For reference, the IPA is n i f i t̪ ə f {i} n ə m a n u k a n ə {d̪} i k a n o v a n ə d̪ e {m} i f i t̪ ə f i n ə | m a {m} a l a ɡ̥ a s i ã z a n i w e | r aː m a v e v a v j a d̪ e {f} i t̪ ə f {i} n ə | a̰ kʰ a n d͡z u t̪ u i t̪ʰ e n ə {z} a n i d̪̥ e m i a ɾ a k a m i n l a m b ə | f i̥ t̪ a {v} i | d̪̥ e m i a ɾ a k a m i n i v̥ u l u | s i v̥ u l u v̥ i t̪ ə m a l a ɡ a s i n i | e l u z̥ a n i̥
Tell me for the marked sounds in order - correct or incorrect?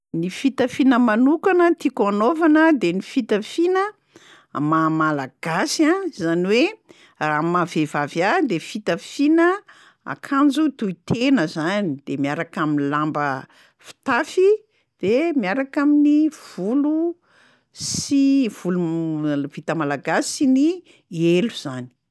correct, incorrect, incorrect, correct, correct, correct, correct, incorrect

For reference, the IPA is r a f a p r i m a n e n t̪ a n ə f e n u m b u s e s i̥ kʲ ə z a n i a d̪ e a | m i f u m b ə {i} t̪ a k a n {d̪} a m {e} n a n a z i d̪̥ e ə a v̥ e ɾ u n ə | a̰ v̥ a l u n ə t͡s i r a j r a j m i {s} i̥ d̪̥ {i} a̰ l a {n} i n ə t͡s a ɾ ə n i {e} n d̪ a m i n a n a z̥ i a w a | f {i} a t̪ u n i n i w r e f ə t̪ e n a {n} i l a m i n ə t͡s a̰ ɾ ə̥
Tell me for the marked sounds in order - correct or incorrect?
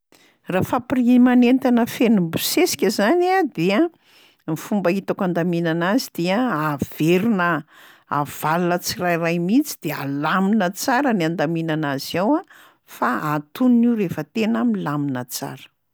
correct, correct, incorrect, incorrect, incorrect, incorrect, incorrect, incorrect, incorrect

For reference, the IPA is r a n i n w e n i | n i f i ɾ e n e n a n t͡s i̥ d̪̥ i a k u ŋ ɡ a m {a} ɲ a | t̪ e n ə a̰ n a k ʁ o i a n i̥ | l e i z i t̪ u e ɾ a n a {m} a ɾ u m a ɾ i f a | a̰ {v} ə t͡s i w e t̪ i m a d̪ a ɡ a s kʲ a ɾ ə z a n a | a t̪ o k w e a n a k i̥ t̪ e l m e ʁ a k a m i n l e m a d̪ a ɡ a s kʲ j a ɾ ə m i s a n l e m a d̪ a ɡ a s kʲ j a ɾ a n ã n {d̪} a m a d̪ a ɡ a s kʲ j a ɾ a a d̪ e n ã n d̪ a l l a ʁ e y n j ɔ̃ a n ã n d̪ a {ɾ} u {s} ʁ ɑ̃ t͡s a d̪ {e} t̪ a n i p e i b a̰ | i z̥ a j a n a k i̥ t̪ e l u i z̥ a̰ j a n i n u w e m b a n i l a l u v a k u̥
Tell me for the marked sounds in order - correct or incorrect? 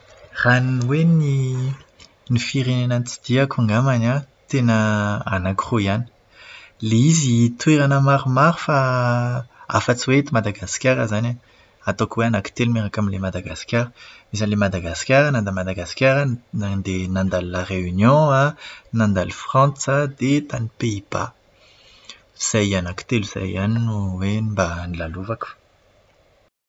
correct, correct, incorrect, correct, incorrect, incorrect, correct

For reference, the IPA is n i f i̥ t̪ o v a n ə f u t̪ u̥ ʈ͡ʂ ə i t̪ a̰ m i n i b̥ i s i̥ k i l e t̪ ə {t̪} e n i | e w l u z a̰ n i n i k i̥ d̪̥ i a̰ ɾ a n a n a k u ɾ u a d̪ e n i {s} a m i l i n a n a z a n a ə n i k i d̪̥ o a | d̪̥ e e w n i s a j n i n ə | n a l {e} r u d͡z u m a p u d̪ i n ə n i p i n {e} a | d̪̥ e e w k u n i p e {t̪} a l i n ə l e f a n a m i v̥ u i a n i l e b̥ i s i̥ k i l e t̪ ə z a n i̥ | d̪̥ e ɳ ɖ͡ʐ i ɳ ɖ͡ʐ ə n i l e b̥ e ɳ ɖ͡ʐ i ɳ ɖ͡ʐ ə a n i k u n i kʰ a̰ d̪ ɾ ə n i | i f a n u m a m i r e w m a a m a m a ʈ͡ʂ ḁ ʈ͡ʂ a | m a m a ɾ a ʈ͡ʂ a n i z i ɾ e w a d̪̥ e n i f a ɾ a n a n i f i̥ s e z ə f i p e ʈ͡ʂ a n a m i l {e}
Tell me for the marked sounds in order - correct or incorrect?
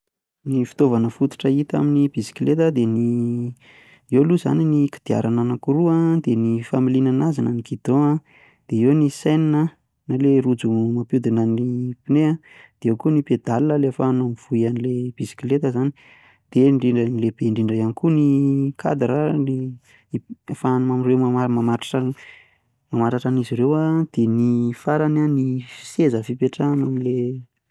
incorrect, incorrect, correct, correct, incorrect, correct

